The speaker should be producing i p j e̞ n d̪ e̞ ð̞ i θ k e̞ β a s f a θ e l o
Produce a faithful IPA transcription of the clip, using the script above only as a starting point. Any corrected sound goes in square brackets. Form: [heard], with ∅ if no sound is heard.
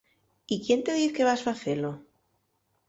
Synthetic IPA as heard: i [k] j e̞ n [t̪] e̞ ð̞ i θ k e̞ β a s f a θ e l o